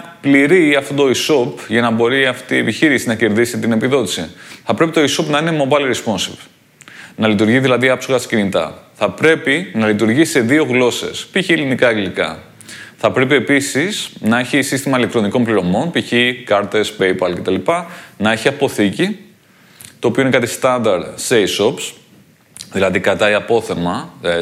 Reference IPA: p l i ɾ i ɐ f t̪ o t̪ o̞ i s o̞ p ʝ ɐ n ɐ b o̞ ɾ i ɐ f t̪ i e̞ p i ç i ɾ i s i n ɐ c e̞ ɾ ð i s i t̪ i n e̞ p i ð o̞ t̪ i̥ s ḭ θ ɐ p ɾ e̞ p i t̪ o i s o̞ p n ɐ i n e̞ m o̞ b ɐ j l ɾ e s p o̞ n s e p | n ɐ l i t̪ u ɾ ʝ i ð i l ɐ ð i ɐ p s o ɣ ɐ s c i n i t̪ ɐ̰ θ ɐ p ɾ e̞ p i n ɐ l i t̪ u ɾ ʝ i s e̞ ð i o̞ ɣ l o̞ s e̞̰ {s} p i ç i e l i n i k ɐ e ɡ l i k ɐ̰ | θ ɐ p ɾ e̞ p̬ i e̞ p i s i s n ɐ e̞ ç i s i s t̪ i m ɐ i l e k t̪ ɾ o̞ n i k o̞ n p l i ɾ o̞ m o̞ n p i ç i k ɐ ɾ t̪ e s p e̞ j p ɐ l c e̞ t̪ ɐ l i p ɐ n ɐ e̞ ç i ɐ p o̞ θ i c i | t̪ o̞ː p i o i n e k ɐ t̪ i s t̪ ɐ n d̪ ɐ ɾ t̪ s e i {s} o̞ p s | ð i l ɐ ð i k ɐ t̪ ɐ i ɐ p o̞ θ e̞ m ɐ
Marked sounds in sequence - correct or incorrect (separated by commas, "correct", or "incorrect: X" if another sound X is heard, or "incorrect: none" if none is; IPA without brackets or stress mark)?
correct, correct